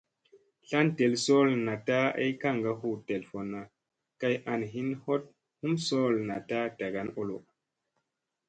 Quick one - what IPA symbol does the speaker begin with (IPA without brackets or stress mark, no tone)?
ɬ